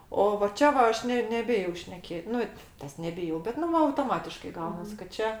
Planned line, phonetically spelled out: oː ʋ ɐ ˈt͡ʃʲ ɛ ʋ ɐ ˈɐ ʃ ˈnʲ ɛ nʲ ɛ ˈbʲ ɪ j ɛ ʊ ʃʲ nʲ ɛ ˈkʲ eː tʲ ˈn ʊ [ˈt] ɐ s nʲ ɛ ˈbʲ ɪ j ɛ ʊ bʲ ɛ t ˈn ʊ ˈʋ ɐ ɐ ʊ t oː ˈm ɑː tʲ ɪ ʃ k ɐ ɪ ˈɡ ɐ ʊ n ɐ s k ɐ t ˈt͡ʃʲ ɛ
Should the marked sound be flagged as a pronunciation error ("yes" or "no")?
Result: no